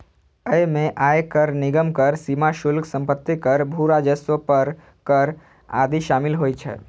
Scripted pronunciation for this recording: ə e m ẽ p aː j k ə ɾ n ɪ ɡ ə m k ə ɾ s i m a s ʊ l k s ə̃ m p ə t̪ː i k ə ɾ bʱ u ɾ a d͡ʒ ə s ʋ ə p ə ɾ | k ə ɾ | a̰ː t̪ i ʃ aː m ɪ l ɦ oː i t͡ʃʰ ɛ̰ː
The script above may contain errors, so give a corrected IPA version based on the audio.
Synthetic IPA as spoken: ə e m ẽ ʔ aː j k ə ɾ n ɪ ɡ ə m k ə ɾ s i m a ʃ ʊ l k s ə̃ m p ə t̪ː i k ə ɾ bʱ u ɾ a d͡ʒ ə s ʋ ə p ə ɾ | k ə ɾ | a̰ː d̪ i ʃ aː m ɪ l ɦ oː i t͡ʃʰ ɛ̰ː